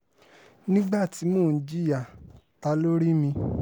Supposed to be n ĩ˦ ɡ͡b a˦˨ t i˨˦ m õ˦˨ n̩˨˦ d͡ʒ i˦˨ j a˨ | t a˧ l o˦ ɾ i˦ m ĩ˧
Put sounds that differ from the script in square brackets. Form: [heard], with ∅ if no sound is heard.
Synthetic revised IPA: n ĩ˦ ɡ͡b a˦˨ t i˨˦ m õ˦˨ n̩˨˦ d͡ʒ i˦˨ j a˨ | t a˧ l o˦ ɾ i˦ m ĩ˧